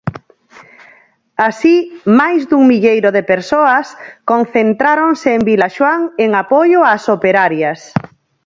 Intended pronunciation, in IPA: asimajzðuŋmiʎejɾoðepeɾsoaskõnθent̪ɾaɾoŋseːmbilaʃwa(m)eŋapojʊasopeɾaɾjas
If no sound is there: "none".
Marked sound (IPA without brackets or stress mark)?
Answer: ŋ